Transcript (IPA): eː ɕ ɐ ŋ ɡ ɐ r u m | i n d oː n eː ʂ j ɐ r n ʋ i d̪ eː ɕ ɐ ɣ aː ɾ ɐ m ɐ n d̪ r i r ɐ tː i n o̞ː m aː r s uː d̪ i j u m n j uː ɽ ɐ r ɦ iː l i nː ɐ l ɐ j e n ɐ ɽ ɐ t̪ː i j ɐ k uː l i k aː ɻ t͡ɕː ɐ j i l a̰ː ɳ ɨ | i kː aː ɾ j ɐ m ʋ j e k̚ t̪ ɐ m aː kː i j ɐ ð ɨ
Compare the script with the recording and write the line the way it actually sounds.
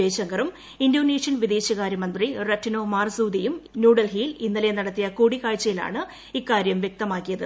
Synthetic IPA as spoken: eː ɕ ɐ ŋ ɡ ɐ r u m | i n d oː n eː ʂ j ɐ n ʋ i d̪ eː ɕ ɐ ɣ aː ɾ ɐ m ɐ n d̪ r i r ɐ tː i n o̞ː m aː r s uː d̪ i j u m n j uː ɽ ɐ l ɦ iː l i nː ɐ l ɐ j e n ɐ ɽ ɐ t̪ː i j ɐ k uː ɽ i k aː ɻ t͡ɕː ɐ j i l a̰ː ɳ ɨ | i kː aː ɾ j ɐ m ʋ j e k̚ t̪ ɐ m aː kː i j ɐ ð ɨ